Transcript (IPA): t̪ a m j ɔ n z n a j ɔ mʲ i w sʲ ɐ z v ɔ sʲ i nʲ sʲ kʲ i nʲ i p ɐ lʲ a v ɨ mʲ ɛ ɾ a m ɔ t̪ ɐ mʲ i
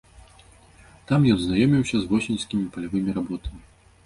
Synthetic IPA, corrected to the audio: t̪ a m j ɔ n z n a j ɔ mʲ i w sʲ ɐ z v ɔ sʲ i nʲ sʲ kʲ i mʲ i p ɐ lʲ a v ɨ mʲ i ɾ a b ɔ t̪ ɐ mʲ i